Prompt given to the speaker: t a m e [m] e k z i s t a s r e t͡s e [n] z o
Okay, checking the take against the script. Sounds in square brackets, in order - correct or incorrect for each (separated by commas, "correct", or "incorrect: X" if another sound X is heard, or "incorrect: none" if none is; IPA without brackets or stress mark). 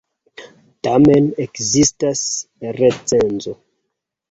incorrect: n, correct